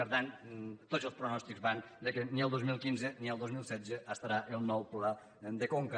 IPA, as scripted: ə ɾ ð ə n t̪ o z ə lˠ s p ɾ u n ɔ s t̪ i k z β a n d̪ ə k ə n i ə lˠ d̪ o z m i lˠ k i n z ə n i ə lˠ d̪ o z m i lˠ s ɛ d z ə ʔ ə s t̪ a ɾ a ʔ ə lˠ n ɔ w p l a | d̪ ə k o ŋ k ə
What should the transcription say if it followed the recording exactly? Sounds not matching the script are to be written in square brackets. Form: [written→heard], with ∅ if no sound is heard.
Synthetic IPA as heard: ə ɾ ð [ə→a] n t̪ o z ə lˠ s p ɾ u n ɔ s t̪ i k z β a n d̪ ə k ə n i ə lˠ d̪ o z m i lˠ k i n z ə n i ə lˠ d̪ o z m i lˠ s ɛ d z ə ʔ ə s t̪ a ɾ a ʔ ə lˠ n ɔ w p l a | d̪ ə k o ŋ k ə